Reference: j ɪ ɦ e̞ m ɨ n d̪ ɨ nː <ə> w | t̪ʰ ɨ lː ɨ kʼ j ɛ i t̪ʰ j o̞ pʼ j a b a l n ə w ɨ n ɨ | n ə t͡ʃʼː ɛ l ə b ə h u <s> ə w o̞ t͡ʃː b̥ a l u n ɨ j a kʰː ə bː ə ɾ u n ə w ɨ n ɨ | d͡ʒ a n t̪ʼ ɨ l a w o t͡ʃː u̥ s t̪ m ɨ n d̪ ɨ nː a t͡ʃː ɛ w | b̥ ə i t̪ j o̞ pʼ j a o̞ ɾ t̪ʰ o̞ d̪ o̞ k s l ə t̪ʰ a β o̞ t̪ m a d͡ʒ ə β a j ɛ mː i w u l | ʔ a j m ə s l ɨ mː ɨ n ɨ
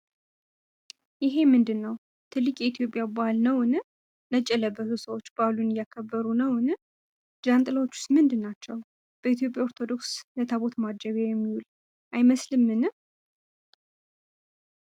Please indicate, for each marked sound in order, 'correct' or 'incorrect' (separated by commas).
correct, correct